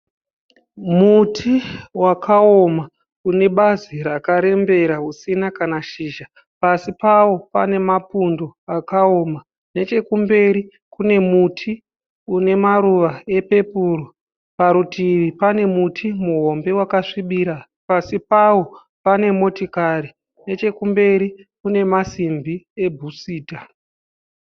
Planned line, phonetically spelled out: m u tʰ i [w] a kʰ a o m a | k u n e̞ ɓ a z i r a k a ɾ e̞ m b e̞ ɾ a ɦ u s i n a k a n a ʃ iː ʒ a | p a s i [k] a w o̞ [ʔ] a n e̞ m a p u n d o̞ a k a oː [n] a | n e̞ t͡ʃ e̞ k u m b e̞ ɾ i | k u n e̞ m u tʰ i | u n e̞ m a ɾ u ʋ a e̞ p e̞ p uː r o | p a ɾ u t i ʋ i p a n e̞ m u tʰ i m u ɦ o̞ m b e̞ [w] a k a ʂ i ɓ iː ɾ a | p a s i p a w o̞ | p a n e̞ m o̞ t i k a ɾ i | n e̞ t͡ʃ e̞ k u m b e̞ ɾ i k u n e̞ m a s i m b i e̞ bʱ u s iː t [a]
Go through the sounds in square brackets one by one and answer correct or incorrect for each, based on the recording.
correct, incorrect: p, incorrect: p, incorrect: m, correct, correct

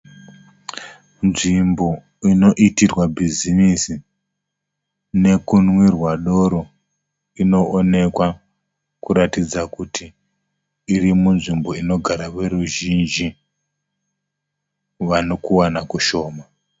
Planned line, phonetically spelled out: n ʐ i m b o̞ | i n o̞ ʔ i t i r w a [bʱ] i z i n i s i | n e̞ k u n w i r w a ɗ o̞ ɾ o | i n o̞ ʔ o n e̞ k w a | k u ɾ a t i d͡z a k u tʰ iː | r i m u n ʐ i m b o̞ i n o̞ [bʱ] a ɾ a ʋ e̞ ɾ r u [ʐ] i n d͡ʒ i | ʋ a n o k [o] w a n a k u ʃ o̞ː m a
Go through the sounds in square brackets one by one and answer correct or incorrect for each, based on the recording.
correct, incorrect: ɡʱ, incorrect: ʒ, incorrect: u

